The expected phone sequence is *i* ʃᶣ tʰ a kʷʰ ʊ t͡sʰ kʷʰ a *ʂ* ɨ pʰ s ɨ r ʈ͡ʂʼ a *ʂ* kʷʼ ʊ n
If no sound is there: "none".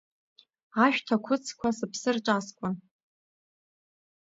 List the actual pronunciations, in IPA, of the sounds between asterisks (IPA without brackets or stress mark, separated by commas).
a, s, s